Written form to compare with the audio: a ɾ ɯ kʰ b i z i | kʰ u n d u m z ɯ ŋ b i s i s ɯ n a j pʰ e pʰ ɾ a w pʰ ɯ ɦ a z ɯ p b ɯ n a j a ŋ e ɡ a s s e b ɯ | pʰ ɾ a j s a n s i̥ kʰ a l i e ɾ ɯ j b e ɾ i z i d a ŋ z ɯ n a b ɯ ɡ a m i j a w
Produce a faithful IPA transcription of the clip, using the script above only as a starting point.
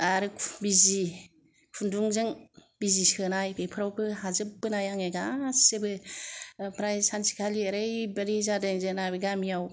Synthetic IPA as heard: a ɾ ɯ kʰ b i z i | kʰ u n d u ŋ z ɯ ŋ b i z i s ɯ n a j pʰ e pʰ ɾ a w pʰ ɯ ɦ a z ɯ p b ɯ n a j a ŋ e ɡ a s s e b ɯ | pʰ ɾ a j s a n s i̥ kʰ a l i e ɾ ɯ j b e ɾ i z a d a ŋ z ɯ n a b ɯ ɡ a m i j a w